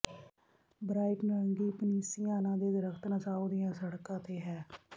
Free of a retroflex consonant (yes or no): no